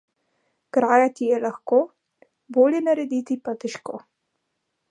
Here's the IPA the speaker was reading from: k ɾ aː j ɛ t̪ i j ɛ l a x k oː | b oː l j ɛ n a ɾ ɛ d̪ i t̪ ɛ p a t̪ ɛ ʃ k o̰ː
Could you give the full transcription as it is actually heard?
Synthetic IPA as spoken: k ɾ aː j a t̪ i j ɛ l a x k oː | b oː l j ɛ n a ɾ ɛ d̪ i t̪ i p a t̪ ɛ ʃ k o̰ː

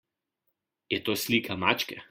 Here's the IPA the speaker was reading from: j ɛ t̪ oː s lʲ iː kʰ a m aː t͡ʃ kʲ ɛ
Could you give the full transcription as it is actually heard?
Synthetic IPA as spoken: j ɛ t̪ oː s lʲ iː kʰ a m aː t͡ʃ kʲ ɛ

